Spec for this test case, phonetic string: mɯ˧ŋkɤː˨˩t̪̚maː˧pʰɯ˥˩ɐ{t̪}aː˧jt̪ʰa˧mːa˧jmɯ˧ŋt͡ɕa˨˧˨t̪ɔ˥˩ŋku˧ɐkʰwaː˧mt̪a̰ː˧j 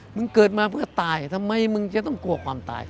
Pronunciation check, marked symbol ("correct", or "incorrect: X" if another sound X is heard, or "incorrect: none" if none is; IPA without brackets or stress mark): correct